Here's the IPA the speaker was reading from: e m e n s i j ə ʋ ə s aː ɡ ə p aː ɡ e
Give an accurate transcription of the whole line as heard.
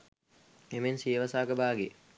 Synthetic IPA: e m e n s i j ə ʋ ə s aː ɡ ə b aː ɡ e